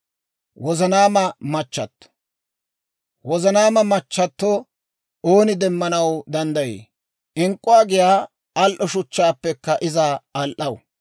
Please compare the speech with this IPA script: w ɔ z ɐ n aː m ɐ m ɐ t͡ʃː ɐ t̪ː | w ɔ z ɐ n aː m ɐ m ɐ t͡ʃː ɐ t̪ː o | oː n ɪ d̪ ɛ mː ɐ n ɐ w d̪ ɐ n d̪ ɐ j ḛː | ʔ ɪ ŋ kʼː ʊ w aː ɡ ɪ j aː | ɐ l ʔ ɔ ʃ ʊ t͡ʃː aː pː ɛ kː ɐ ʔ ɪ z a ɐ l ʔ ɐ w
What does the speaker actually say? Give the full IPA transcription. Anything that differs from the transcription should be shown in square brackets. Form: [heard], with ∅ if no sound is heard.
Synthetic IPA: w ɔ z ɐ n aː m ɐ m ɐ t͡ʃː ɐ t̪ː | w ɔ z ɐ n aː m ɐ m ɐ t͡ʃː ɐ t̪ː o | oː n ɪ d̪ ɛ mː ɐ n ɐ w d̪ ɐ n d̪ ɐ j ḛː | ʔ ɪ ŋ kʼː ʊ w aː ɡ ɪ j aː | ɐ l ʔ ɔ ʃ ʊ t͡ʃː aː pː ɛ kː ɐ ʔ ɪ z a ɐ l ʔ ɐ w